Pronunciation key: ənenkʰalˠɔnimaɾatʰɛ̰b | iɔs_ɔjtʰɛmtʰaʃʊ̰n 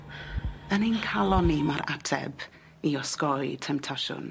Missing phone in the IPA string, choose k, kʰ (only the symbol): k